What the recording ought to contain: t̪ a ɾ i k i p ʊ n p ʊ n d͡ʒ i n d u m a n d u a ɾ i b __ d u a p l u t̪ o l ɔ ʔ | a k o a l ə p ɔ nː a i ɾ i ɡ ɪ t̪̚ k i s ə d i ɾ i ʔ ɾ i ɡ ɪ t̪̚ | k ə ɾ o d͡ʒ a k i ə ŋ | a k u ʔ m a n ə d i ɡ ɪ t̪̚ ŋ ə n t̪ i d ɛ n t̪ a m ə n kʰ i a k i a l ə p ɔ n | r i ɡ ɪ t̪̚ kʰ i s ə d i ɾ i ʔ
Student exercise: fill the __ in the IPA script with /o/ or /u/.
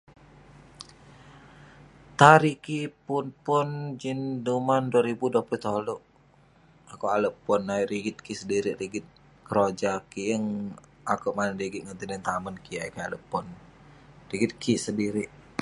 u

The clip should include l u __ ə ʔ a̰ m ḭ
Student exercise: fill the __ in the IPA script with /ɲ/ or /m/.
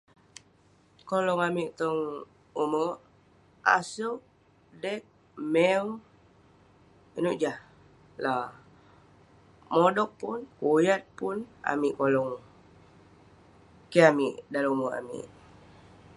m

